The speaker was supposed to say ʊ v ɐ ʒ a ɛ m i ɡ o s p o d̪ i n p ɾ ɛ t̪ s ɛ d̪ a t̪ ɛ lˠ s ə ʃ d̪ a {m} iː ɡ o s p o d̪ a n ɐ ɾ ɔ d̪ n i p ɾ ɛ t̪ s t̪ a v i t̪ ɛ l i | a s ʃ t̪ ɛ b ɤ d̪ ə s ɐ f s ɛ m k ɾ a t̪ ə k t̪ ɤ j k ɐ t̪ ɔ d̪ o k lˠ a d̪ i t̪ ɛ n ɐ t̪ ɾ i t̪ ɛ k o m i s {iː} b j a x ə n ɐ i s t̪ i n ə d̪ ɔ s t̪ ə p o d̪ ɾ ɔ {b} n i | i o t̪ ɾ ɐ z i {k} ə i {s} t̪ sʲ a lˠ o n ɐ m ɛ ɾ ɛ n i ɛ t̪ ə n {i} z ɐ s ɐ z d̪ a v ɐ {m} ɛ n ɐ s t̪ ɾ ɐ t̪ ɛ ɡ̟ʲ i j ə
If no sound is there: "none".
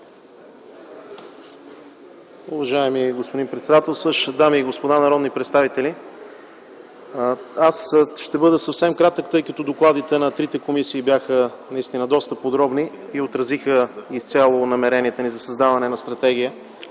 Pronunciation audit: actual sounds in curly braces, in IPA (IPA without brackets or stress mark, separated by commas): m, iː, b, x, s, i, n